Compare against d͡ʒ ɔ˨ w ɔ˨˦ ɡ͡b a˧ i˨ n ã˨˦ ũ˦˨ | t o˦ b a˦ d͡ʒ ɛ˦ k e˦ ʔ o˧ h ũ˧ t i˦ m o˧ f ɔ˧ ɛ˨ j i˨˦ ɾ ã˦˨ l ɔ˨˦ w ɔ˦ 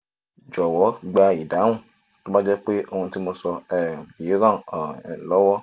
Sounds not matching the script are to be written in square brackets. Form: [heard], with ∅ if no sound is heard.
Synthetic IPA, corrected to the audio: d͡ʒ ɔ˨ w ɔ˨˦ ɡ͡b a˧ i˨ [d] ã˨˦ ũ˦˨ | t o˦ b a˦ d͡ʒ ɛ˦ [k͡p] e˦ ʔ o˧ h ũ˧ t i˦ m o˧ [s] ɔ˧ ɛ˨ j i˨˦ ɾ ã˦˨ l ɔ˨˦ w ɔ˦